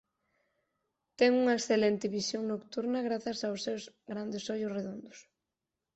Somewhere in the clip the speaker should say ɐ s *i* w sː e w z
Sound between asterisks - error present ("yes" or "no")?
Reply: yes